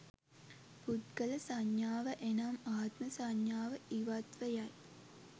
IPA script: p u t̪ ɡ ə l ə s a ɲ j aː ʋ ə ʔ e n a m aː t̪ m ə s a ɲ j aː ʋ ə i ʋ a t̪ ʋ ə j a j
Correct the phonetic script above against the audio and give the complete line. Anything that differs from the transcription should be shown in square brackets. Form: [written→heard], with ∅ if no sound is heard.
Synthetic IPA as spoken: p u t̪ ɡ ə l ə s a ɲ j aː ʋ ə ʔ e n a m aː t̪ m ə s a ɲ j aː ʋ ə i ʋ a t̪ ʋ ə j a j